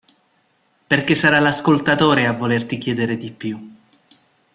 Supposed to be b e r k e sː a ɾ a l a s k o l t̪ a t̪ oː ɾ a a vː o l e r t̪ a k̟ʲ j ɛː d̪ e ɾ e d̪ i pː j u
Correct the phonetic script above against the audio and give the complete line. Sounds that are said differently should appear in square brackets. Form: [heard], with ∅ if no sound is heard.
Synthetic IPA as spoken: [p] e r k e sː a ɾ a l a s k o l t̪ a t̪ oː ɾ [e] a vː o l e r t̪ [i] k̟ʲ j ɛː d̪ e ɾ e d̪ i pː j u